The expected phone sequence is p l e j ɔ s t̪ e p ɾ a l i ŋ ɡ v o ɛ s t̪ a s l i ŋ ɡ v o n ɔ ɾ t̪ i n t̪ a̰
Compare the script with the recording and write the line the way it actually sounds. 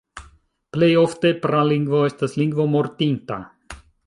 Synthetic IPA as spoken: p l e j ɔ f t̪ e p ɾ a l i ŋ ɡ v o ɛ s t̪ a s l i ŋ ɡ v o m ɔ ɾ t̪ i n t̪ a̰